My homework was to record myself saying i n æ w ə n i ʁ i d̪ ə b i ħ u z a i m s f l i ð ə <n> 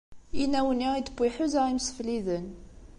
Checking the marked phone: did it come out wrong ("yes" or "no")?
no